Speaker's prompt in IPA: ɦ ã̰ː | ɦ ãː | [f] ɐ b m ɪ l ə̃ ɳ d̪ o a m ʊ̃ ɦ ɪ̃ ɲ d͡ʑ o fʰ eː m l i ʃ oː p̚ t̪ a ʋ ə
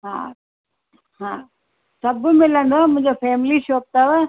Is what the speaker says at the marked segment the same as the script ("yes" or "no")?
no